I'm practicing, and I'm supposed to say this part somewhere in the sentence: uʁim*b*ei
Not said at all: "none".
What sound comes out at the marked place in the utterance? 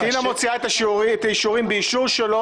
b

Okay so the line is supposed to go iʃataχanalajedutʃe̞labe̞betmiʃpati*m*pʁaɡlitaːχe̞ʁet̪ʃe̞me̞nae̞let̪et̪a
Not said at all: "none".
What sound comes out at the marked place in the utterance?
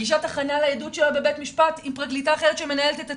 m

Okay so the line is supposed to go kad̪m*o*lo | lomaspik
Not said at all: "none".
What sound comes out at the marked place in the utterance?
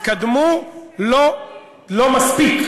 u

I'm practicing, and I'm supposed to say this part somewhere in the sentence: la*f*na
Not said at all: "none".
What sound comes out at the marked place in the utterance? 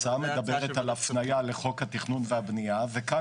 f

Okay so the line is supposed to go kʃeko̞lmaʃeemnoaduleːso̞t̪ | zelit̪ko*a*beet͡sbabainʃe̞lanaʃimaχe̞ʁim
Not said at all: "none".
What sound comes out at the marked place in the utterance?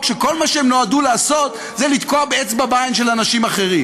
a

